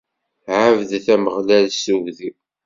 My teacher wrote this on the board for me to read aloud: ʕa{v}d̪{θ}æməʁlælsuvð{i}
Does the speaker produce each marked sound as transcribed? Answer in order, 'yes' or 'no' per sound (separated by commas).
yes, yes, yes